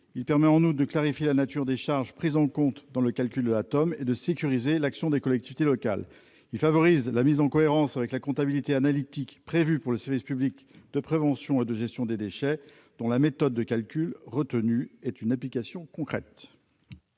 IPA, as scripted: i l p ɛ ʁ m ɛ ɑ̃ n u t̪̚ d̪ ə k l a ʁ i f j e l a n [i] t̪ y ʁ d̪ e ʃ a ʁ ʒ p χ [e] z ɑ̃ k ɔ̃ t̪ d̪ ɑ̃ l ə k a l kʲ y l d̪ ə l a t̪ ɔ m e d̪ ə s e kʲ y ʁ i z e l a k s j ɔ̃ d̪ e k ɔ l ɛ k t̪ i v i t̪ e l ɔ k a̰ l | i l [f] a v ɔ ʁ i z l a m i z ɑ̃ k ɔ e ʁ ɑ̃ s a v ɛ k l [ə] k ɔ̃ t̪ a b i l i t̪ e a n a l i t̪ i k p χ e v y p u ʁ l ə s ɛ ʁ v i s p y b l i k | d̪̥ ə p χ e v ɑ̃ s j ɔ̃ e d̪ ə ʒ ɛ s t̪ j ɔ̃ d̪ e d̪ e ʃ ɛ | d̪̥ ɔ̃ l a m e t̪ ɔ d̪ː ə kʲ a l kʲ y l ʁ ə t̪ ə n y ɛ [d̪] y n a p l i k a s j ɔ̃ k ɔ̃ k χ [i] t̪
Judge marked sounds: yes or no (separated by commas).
no, no, yes, no, no, no